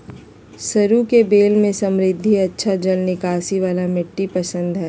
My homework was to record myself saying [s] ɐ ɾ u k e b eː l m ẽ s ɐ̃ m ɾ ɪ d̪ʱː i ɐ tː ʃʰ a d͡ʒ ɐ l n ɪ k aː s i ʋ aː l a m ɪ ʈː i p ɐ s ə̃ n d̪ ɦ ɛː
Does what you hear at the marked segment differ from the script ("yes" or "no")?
no